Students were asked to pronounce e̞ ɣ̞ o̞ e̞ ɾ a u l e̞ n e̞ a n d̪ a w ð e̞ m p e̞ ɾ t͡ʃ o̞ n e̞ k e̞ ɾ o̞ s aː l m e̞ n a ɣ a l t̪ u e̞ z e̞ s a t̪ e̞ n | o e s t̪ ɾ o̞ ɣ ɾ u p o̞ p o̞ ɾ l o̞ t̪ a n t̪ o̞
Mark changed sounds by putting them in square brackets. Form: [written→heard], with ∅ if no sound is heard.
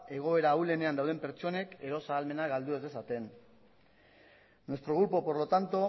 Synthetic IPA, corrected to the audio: e̞ ɣ̞ o̞ e̞ ɾ a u l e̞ n e̞ a n d̪ a w ð e̞ m p e̞ ɾ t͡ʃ o̞ n e̞ k e̞ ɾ o̞ s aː l m e̞ n a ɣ a l [t̪→d̪] u e̞ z e̞ s a t̪ e̞ n | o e s t̪ ɾ o̞ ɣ ɾ u p o̞ p o̞ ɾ l o̞ t̪ a n t̪ o̞